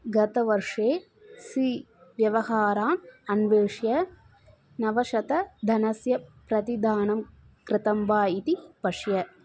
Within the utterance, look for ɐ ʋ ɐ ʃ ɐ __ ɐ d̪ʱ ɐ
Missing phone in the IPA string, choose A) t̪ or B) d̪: A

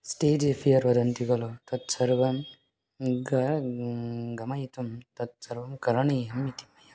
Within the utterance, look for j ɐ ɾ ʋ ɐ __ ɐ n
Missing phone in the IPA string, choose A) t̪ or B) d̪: B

